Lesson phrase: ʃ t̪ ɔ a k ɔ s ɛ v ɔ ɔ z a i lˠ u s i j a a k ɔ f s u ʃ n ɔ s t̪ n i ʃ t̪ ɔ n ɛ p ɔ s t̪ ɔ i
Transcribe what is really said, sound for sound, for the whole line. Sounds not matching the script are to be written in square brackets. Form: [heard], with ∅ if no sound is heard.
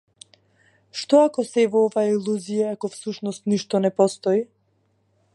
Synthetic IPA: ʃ t̪ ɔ a k ɔ s ɛ v ɔ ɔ [v] a i lˠ u [z] i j a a k ɔ f s u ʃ n ɔ s t̪ n i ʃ t̪ ɔ n ɛ p ɔ s t̪ ɔ i